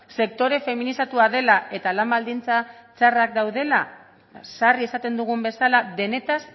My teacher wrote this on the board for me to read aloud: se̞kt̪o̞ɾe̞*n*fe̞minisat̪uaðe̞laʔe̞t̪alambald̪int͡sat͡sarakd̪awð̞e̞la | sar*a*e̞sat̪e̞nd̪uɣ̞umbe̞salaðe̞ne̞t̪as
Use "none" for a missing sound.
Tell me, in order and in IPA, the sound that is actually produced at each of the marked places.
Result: none, i

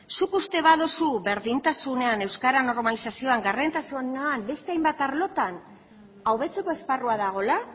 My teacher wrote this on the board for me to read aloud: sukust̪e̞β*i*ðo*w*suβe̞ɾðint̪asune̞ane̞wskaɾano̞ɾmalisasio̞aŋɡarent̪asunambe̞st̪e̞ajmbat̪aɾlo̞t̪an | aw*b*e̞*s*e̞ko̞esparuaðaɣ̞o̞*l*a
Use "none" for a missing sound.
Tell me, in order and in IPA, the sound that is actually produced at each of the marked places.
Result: a, none, β, t͡s, l

